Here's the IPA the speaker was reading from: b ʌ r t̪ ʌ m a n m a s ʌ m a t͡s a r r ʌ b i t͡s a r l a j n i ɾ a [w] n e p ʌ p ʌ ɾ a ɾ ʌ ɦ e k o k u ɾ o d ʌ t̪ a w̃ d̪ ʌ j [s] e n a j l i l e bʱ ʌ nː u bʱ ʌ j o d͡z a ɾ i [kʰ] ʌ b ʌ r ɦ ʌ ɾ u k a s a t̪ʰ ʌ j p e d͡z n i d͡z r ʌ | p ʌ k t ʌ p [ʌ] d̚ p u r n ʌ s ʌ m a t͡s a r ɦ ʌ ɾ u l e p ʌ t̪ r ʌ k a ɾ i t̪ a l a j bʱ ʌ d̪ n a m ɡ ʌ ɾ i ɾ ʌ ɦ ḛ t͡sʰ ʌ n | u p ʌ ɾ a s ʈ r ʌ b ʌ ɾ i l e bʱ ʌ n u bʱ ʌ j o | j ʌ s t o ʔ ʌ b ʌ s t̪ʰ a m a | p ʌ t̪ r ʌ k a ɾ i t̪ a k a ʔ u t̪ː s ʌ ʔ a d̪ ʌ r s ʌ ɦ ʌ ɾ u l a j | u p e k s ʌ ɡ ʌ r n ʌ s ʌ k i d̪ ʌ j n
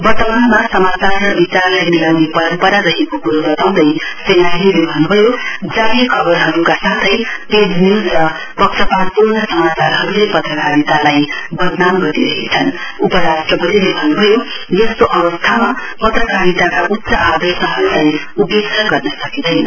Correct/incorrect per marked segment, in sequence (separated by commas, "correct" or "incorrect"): correct, correct, correct, incorrect